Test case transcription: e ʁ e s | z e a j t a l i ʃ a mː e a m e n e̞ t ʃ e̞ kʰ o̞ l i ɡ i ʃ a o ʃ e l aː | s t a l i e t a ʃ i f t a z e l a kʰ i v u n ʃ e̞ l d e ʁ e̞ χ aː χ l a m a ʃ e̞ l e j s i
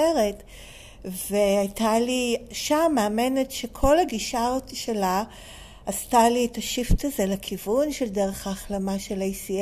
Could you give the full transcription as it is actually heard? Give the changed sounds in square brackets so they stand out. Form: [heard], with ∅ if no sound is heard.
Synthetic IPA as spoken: e ʁ e [t] | [v] e a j t a l i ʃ a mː e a m e n e̞ t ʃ e̞ kʰ o̞ l [a] ɡ i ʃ a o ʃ e l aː | s t a l i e t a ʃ i f t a z e l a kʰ i v u n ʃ e̞ l d e ʁ e̞ χ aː χ l a m a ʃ e̞ l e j s i